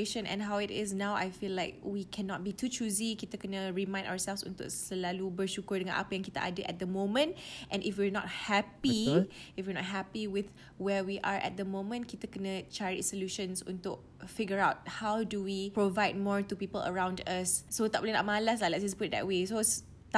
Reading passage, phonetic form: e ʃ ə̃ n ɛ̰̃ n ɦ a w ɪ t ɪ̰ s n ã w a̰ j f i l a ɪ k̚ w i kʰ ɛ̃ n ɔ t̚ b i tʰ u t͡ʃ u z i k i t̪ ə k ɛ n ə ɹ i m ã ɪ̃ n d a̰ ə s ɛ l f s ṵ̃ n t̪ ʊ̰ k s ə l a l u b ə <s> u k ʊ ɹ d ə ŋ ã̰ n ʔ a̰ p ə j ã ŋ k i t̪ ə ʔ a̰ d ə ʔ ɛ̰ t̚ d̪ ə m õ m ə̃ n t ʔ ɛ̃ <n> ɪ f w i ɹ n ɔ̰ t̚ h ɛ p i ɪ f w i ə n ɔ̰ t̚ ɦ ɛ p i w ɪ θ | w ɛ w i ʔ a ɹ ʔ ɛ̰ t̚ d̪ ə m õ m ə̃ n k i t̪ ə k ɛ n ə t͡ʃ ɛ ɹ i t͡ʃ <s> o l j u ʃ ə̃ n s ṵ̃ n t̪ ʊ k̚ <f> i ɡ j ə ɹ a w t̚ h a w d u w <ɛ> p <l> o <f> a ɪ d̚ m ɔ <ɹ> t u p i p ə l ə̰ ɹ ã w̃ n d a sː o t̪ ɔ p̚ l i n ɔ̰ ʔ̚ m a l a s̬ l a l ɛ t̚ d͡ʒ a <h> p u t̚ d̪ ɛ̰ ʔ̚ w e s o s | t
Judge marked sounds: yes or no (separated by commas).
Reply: no, yes, yes, yes, no, no, no, yes, no